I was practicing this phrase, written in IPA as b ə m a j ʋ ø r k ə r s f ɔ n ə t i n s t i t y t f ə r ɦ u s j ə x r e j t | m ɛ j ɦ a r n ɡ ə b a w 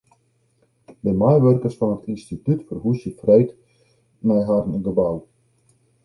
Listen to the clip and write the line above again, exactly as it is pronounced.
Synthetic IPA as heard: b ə m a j ʋ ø r k ə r s f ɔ n ə t i n s t i t y t f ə r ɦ u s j ə f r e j t | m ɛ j ɦ a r n ɡ ə b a w